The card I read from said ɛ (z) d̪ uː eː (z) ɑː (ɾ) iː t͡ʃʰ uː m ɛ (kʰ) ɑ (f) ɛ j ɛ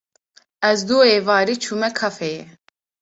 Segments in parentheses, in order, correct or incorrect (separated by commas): correct, incorrect, correct, correct, correct